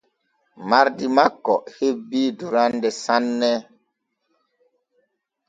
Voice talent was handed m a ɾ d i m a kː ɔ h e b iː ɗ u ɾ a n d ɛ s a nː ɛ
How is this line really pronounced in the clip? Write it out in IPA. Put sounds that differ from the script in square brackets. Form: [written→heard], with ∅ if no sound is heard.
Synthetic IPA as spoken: m a ɾ d i m a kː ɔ h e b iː [ɗ→d] u ɾ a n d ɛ s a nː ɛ